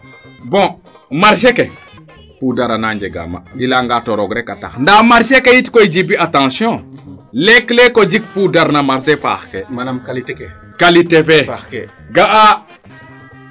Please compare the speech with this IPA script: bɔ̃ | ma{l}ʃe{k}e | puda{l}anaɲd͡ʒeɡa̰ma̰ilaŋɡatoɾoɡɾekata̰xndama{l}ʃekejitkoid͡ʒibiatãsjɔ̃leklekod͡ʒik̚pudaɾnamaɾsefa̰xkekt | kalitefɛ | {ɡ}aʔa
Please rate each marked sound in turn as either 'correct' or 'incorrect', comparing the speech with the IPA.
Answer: incorrect, correct, incorrect, incorrect, correct

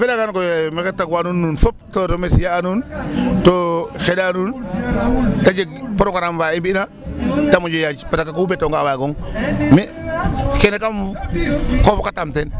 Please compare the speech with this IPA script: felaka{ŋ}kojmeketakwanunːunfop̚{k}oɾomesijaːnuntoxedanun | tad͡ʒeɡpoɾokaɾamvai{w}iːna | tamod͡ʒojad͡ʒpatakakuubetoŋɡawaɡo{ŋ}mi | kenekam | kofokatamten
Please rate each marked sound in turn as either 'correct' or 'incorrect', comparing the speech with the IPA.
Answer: incorrect, incorrect, incorrect, correct

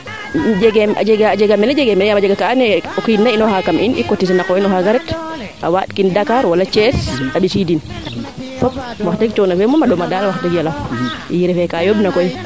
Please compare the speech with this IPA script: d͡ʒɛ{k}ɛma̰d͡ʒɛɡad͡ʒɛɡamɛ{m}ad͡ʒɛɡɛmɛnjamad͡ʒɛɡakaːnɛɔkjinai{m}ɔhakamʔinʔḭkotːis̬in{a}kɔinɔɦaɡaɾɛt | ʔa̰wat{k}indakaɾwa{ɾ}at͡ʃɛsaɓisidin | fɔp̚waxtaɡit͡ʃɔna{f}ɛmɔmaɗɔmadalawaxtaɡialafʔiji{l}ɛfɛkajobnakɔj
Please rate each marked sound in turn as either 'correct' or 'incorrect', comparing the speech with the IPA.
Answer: incorrect, incorrect, incorrect, correct, correct, incorrect, correct, incorrect

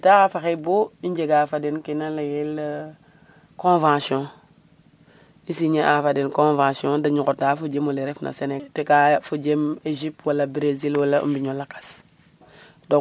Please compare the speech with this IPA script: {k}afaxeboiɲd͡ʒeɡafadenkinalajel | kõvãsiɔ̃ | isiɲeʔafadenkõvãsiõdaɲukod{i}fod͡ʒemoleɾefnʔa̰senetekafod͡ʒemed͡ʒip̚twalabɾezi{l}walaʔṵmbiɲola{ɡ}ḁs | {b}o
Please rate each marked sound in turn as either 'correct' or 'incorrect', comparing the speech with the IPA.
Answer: incorrect, incorrect, correct, incorrect, incorrect

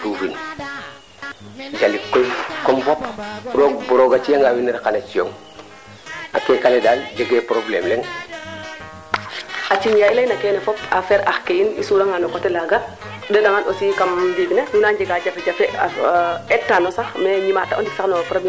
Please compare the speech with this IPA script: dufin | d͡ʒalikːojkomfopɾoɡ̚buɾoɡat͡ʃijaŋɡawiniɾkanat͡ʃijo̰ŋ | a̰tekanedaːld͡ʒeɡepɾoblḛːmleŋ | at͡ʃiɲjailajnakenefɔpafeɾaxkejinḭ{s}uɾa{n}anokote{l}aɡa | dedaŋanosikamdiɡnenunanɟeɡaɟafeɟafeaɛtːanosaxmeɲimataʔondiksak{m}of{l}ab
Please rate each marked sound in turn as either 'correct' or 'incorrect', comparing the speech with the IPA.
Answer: correct, incorrect, correct, incorrect, incorrect

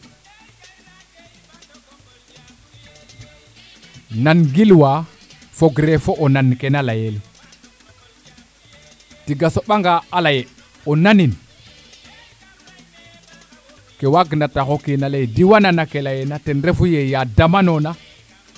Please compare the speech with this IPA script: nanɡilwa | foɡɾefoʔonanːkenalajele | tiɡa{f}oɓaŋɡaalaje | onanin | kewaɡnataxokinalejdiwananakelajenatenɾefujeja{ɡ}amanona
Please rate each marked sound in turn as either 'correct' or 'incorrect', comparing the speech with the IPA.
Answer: incorrect, incorrect

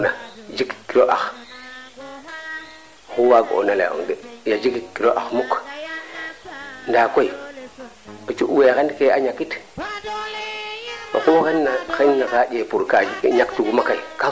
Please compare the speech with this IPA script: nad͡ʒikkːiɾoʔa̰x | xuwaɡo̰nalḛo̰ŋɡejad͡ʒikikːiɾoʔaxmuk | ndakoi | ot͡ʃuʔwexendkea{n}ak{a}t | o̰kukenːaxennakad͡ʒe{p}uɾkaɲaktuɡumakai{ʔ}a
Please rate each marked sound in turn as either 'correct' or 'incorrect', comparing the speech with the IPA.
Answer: incorrect, incorrect, correct, incorrect

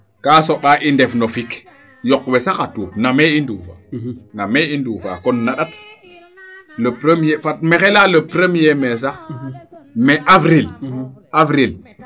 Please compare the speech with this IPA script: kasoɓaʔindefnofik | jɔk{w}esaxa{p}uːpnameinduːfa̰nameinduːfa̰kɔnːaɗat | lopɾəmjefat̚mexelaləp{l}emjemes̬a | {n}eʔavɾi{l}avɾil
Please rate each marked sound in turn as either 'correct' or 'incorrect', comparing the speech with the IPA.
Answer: correct, incorrect, incorrect, incorrect, correct

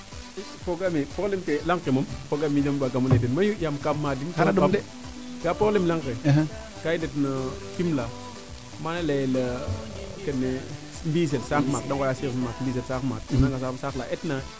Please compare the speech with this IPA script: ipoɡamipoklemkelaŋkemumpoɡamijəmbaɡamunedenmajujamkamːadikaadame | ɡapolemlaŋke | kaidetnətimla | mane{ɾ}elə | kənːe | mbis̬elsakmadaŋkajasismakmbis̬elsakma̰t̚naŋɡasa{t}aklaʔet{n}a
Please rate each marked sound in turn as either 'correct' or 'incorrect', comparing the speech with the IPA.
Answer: incorrect, incorrect, correct

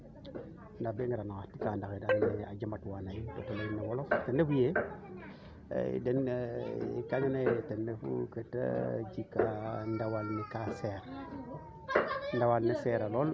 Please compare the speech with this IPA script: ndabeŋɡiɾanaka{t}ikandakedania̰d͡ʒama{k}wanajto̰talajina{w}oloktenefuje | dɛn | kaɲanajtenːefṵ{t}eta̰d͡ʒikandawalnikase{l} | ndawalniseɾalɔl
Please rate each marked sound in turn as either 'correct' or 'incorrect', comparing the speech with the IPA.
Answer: correct, incorrect, correct, incorrect, incorrect

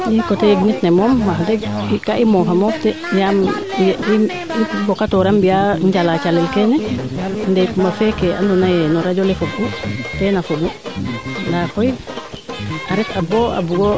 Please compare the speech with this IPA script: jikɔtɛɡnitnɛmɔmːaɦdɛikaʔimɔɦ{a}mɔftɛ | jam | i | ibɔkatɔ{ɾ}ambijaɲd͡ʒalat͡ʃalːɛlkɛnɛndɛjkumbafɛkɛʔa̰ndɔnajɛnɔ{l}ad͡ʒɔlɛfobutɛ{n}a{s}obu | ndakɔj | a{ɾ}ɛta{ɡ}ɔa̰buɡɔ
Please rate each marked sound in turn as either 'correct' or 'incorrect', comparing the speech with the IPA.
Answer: correct, correct, incorrect, correct, incorrect, correct, incorrect

